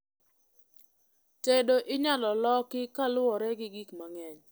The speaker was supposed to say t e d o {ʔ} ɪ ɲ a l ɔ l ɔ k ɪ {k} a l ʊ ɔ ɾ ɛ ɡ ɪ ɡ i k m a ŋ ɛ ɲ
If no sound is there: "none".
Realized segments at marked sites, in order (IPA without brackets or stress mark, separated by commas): ʔ, k